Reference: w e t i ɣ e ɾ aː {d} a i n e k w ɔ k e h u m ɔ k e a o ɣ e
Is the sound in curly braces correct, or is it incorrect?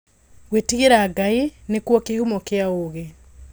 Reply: incorrect: ɡ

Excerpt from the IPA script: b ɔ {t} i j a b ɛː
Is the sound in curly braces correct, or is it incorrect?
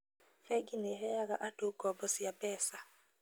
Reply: incorrect: s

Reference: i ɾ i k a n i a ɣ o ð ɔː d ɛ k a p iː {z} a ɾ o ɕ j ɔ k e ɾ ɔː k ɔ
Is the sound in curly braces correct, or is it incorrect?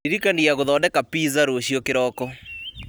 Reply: correct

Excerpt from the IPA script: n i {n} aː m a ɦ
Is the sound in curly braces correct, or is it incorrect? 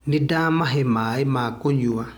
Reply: incorrect: d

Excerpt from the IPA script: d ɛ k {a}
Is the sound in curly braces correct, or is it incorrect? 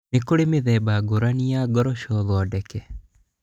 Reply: incorrect: ɛ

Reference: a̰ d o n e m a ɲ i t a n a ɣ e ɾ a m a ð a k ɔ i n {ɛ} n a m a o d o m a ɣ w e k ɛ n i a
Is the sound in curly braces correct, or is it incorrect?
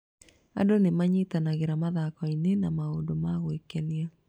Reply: incorrect: e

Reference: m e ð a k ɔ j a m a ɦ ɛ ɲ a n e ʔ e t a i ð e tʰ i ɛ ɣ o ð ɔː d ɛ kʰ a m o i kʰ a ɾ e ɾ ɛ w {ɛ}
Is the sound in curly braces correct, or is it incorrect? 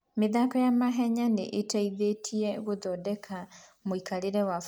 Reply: incorrect: a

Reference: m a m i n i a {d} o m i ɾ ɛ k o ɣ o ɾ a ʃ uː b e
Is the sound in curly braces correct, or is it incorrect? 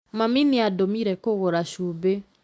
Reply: correct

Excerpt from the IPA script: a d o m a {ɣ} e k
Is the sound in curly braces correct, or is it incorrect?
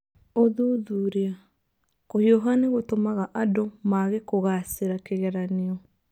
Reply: correct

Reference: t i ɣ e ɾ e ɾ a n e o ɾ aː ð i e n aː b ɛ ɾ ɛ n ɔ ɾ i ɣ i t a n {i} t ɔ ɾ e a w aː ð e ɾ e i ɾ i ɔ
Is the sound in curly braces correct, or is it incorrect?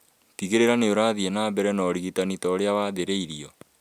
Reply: correct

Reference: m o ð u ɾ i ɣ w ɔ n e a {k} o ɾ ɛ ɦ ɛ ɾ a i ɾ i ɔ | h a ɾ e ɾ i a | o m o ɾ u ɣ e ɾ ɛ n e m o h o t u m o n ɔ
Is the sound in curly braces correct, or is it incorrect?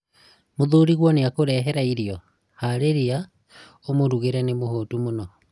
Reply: correct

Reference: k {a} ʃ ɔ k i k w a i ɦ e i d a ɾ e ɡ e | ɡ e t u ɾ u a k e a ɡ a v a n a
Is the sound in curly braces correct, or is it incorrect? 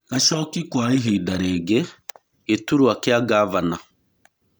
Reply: correct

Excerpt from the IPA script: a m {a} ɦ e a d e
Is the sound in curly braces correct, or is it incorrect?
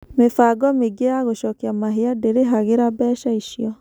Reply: correct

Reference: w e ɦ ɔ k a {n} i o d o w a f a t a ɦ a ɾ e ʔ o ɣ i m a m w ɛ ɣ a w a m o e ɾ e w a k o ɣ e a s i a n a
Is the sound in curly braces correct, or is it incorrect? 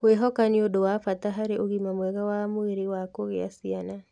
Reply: correct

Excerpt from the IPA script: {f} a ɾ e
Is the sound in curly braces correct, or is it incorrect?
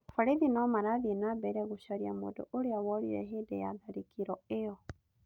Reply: correct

